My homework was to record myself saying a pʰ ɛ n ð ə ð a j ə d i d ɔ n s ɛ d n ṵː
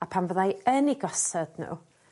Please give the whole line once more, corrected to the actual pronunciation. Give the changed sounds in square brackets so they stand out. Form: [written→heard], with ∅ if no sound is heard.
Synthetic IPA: a pʰ [ɛ→a] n [ð→v] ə ð a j ə [d→n] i [d→ɡ] ɔ [n→∅] s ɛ d n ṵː